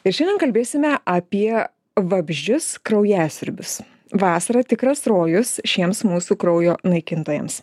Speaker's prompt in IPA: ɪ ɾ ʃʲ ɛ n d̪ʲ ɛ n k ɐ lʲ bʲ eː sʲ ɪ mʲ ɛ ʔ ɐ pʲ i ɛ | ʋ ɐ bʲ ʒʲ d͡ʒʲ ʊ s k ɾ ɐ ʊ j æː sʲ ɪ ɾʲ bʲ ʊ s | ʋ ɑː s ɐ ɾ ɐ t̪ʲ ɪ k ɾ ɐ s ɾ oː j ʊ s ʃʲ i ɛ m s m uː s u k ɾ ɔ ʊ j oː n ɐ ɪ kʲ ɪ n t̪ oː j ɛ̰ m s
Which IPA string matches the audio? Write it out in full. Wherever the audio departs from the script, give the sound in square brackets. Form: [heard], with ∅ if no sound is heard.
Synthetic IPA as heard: ɪ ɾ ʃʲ ɛ n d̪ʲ ɛ n k ɐ lʲ bʲ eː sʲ ɪ mʲ ɛ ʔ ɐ pʲ i ɛ | ʋ ɐ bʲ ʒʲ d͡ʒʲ ʊ s k ɾ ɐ ʊ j æː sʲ ɪ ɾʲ bʲ ʊ s | ʋ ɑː s ɐ ɾ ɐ t̪ʲ ɪ k ɾ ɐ s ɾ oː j ʊ s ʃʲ i ɛ m s m uː s u k ɾ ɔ ʊ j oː n ɐ ɪ kʲ ɪ n t̪ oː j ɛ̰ m s